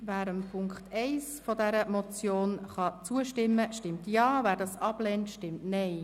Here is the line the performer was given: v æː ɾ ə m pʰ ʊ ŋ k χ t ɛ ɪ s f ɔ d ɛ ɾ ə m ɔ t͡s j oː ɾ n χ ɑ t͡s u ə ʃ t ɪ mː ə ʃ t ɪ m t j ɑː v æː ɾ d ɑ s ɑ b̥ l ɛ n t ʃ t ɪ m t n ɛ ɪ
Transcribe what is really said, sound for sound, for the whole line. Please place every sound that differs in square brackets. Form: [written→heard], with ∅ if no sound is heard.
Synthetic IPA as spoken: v æː ɾ ə m pʰ ʊ ŋ k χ t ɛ ɪ s f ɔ d ɛ ɾ ə m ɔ t͡s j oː [ɾ→∅] n χ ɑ t͡s u ə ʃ t ɪ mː ə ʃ t ɪ m t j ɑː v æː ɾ d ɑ s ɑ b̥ l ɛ n t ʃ t ɪ m t n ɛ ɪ